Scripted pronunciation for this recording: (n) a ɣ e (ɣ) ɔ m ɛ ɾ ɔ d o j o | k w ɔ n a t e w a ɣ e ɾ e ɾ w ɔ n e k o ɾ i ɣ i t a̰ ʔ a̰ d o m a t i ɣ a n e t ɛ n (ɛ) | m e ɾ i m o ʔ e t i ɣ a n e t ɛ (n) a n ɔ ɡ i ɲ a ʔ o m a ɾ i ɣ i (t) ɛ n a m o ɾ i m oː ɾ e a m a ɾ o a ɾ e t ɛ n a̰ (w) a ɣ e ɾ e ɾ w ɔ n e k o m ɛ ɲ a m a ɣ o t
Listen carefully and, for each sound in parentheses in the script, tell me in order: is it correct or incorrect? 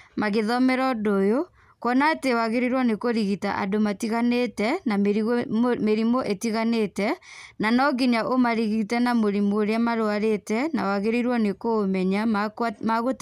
incorrect, incorrect, incorrect, correct, correct, correct

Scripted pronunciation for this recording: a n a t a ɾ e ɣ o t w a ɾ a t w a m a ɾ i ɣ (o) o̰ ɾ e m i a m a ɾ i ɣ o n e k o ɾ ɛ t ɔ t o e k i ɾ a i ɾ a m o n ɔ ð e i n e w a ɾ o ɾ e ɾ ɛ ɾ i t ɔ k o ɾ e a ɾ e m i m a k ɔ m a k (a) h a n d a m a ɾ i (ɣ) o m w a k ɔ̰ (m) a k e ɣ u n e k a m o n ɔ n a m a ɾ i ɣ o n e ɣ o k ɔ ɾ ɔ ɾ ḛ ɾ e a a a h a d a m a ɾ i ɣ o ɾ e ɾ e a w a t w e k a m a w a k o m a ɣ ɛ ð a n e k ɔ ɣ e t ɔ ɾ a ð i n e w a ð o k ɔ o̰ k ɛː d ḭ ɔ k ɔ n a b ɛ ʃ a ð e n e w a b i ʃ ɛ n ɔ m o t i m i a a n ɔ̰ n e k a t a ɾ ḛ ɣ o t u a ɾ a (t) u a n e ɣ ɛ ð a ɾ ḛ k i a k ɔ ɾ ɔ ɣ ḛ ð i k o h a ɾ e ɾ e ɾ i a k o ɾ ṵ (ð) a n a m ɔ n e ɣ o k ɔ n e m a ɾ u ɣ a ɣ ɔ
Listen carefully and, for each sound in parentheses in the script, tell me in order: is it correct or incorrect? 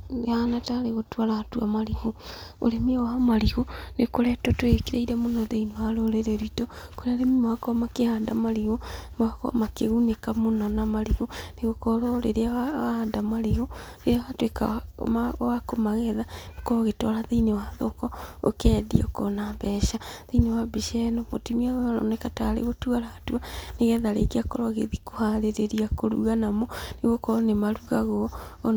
correct, incorrect, correct, correct, correct, incorrect

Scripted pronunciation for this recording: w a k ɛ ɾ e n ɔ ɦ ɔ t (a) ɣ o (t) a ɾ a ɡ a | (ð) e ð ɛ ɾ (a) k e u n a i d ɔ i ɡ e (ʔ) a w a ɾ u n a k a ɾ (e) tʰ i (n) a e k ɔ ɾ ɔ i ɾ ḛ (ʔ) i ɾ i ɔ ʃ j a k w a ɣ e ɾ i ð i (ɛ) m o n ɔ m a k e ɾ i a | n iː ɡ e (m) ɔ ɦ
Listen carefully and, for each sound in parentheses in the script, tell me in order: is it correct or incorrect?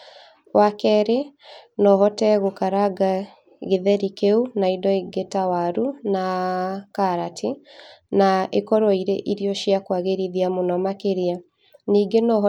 incorrect, incorrect, incorrect, incorrect, incorrect, incorrect, correct, correct, incorrect, incorrect

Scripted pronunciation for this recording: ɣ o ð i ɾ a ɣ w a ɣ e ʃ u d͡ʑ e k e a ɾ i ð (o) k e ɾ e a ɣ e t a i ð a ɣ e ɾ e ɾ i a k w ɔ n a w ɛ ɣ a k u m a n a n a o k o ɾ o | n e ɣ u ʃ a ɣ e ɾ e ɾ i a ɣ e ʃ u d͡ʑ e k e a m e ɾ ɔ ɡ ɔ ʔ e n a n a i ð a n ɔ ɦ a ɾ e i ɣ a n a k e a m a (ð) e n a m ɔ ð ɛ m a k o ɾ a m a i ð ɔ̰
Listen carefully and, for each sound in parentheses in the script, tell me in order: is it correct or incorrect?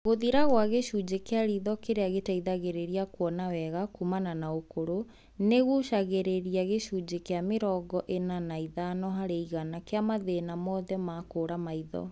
incorrect, correct

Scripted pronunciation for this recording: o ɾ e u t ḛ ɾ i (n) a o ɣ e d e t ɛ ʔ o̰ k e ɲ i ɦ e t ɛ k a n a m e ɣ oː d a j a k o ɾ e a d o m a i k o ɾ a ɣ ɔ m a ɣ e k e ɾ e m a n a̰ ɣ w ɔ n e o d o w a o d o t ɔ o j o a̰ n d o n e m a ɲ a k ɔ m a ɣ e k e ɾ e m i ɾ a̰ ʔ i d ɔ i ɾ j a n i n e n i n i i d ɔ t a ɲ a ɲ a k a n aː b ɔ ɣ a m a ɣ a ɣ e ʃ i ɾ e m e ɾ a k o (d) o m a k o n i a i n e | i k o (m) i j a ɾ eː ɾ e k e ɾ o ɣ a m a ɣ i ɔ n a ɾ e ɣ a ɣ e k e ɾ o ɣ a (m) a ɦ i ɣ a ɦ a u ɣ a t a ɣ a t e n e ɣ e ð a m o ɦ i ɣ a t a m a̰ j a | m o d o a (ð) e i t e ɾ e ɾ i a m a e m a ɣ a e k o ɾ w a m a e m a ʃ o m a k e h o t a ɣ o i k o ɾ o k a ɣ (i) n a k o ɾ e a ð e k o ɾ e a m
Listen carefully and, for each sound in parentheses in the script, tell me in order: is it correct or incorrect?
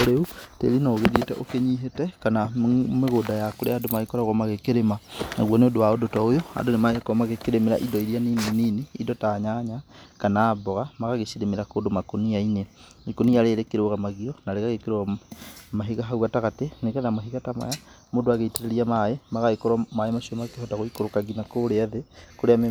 correct, correct, incorrect, correct, incorrect, correct

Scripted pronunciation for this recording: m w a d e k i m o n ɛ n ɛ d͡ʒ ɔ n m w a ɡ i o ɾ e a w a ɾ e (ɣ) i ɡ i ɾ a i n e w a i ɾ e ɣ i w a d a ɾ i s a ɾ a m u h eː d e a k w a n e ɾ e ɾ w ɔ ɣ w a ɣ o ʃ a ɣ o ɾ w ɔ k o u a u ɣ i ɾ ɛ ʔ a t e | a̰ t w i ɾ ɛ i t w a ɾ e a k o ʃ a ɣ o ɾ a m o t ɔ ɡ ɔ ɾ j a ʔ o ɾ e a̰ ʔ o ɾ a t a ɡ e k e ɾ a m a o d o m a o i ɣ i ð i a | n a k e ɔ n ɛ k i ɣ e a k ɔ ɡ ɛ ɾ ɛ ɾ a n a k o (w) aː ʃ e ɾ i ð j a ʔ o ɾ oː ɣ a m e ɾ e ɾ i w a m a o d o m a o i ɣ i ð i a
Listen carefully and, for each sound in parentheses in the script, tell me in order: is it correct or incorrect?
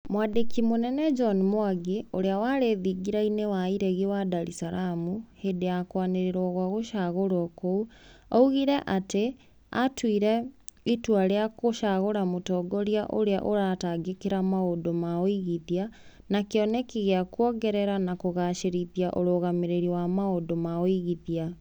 incorrect, incorrect

